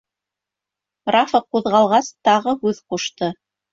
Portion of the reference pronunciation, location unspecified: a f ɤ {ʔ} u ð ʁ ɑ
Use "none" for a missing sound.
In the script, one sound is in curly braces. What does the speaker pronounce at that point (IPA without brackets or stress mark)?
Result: q